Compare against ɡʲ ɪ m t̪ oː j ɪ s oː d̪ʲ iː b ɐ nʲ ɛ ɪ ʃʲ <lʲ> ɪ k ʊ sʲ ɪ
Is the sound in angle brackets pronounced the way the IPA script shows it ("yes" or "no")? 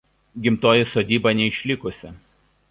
yes